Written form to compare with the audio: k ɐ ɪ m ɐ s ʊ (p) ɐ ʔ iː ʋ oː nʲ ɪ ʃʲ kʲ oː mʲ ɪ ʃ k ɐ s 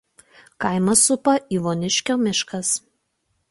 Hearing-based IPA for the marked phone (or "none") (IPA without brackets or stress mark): p